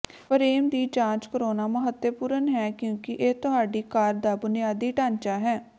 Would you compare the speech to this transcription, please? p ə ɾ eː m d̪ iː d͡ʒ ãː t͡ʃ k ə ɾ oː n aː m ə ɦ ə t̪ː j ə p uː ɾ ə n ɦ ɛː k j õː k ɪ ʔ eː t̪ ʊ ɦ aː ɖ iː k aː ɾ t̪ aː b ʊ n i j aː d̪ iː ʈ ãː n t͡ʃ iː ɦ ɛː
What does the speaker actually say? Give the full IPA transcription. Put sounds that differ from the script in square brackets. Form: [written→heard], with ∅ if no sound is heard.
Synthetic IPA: p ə ɾ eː m d̪ iː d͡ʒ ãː t͡ʃ k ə ɾ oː n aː m ə ɦ ə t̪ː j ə p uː ɾ ə n ɦ ɛː k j õː k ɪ ʔ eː t̪ ʊ ɦ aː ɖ iː k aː ɾ [t̪→d̪] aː b ʊ n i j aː d̪ iː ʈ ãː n t͡ʃ [iː→aː] ɦ ɛː